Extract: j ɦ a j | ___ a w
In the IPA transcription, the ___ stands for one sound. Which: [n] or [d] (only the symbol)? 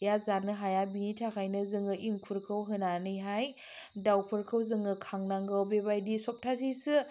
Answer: d